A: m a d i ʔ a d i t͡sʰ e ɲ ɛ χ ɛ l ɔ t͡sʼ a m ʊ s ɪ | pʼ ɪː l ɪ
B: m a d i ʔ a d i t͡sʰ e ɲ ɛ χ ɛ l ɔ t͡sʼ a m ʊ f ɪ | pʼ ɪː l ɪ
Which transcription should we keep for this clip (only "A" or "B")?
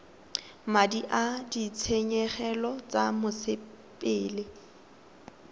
A